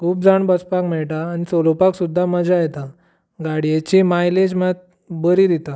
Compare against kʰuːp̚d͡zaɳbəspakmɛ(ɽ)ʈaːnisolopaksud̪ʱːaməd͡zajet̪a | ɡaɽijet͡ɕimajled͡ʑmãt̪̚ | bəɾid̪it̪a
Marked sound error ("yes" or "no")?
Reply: yes